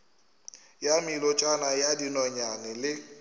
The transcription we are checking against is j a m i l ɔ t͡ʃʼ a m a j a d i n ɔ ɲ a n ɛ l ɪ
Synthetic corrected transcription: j a m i l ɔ t͡ʃʼ a n a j a d i n ɔ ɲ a n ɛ l ɪ